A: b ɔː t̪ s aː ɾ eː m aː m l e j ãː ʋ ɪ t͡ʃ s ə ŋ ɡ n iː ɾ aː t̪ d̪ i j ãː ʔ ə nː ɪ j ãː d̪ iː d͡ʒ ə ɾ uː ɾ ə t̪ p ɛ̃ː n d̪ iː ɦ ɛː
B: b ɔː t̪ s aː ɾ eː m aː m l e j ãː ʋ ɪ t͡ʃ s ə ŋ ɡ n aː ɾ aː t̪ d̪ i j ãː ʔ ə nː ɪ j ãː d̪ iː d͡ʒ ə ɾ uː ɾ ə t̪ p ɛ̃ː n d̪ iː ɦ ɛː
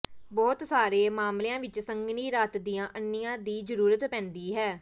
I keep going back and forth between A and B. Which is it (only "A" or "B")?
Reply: A